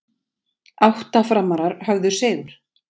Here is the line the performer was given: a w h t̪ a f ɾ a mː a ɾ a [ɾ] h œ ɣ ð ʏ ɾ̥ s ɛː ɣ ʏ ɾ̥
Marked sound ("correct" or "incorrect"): correct